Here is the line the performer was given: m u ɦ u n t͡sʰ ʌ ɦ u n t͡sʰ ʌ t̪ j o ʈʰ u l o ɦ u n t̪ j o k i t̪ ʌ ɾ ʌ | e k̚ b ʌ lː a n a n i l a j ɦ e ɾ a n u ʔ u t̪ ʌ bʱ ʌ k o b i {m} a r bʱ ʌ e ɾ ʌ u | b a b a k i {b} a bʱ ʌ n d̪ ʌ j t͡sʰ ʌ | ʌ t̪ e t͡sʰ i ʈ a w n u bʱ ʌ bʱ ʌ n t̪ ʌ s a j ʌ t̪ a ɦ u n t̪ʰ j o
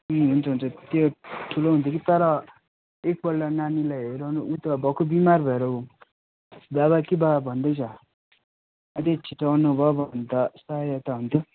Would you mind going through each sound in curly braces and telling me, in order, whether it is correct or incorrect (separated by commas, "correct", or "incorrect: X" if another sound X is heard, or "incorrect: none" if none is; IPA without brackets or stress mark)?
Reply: correct, correct